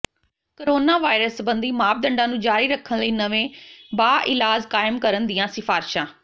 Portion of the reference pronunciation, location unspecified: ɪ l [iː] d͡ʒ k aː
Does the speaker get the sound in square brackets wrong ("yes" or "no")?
yes